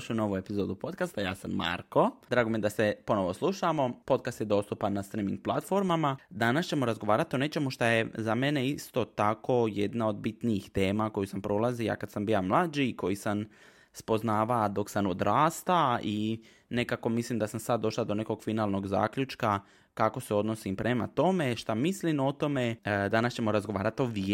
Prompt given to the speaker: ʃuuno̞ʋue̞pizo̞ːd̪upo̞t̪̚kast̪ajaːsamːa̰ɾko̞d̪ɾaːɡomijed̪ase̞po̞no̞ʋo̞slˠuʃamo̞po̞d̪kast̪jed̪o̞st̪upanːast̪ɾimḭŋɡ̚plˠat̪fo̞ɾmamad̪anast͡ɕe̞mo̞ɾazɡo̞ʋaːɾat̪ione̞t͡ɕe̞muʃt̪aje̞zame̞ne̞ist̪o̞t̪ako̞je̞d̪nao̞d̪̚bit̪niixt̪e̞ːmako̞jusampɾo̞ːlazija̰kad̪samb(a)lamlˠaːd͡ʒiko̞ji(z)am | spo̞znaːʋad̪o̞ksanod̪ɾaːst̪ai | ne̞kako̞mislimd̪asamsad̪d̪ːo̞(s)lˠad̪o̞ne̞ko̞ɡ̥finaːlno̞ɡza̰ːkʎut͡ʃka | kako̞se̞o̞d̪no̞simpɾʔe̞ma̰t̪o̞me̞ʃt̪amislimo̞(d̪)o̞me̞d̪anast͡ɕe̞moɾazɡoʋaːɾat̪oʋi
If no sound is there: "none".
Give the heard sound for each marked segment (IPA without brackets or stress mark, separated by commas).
i, s, ʃ, t̪